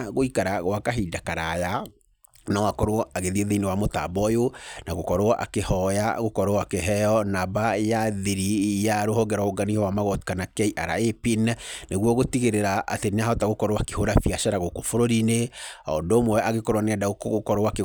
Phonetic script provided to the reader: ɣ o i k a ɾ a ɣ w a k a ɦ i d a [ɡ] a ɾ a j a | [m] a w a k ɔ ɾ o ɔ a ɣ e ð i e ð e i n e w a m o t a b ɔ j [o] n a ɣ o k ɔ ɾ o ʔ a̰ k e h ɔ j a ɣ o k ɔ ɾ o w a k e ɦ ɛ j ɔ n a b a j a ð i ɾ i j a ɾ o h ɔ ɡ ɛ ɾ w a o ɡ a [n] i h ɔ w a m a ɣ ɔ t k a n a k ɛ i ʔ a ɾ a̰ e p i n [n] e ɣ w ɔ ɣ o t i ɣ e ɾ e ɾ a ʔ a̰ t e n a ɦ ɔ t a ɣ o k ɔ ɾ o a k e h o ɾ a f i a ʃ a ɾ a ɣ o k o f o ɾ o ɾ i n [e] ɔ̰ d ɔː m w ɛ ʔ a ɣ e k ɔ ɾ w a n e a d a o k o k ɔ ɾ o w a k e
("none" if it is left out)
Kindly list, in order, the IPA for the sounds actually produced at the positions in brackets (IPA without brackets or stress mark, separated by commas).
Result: k, n, o, n, n, e